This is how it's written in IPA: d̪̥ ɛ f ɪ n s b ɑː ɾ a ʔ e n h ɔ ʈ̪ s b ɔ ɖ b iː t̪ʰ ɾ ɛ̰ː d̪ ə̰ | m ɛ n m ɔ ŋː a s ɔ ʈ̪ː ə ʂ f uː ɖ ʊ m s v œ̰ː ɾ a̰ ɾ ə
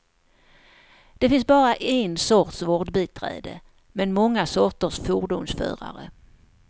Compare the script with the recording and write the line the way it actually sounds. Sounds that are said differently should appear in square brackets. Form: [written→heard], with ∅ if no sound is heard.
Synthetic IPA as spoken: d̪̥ ɛ f ɪ n s b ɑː ɾ a ʔ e n [h→s] ɔ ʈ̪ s [b→v] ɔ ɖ b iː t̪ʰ ɾ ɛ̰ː d̪ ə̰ | m ɛ n m ɔ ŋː a s ɔ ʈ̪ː ə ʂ f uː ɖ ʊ m s [v→f] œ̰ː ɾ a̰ ɾ ə